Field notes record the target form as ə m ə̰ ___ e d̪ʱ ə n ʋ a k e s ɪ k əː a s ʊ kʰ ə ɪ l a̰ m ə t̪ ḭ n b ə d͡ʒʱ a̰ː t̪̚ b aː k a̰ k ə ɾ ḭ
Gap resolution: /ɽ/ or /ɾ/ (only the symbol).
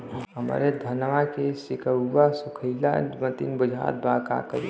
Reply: ɾ